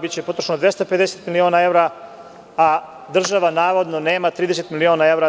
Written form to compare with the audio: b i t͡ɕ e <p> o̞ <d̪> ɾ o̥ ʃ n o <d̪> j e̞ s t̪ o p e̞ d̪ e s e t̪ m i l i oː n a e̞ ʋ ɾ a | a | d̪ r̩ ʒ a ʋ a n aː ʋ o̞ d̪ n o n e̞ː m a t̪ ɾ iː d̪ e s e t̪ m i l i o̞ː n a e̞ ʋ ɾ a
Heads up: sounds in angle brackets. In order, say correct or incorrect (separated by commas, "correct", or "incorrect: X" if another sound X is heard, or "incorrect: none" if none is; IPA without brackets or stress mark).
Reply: correct, incorrect: t̪, correct